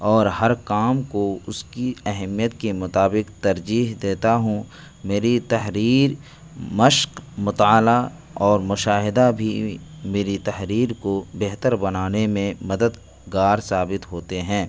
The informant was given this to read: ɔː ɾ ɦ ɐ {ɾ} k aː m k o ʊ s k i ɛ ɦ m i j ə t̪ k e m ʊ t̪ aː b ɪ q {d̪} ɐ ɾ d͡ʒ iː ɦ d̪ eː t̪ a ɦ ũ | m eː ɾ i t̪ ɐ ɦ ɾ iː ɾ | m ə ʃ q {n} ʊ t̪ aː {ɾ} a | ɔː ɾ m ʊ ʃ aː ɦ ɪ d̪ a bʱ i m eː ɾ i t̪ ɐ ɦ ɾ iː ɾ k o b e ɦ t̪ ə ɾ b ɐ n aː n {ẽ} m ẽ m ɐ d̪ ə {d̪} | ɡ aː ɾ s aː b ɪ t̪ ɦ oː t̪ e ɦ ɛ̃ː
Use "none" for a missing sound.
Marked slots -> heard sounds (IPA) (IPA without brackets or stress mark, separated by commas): ɾ, t̪, m, l, e, d̪